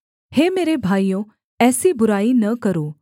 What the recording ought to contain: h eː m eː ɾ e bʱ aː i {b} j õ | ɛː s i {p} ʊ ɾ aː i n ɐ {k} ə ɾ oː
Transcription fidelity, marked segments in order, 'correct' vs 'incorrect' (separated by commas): incorrect, incorrect, correct